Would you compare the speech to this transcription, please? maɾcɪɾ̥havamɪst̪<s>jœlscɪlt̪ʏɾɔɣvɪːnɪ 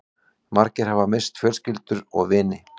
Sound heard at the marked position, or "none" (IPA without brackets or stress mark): f